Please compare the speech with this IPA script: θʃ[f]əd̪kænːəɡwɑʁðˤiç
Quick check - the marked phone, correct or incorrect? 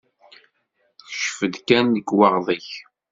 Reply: correct